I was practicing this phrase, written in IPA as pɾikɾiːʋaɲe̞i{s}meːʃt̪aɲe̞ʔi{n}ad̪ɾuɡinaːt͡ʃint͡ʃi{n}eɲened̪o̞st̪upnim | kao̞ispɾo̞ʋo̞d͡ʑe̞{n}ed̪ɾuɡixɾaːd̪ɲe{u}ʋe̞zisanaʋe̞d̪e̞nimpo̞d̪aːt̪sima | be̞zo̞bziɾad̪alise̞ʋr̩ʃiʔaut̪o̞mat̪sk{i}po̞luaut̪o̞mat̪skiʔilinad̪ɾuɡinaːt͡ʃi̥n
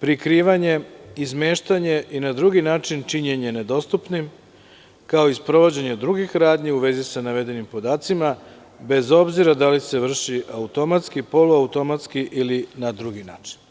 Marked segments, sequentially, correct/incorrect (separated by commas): incorrect, correct, incorrect, incorrect, correct, correct